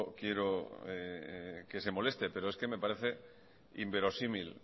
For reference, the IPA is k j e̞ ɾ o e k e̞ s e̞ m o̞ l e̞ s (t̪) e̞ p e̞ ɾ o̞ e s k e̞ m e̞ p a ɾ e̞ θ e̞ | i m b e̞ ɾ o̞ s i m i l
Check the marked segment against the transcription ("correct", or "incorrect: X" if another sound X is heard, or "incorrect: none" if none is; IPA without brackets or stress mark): correct